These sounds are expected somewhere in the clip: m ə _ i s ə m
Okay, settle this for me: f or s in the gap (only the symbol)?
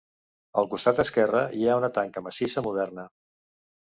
s